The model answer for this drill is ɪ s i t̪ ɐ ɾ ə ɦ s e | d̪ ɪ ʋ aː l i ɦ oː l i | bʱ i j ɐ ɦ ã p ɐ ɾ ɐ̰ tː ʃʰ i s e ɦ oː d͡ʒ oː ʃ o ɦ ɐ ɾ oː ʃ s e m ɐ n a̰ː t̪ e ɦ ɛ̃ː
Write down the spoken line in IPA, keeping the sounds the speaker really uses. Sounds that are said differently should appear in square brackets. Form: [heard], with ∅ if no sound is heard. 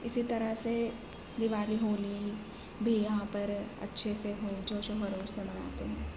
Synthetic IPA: ɪ s i t̪ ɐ ɾ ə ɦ s e | d̪ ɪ ʋ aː l i ɦ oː l i | bʱ i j ɐ ɦ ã p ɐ ɾ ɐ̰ tː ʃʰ [e] s e ɦ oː d͡ʒ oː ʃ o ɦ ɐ ɾ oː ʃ s e m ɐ n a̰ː t̪ e ɦ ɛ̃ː